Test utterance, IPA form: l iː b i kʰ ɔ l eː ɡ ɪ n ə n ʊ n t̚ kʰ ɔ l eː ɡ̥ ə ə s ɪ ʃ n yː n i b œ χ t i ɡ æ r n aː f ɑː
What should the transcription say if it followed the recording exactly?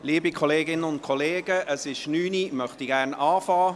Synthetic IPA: l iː b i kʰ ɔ l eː ɡ ɪ n ə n ʊ n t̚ kʰ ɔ l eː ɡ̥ ə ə s ɪ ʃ n yː n i m œ χ t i ɡ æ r n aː f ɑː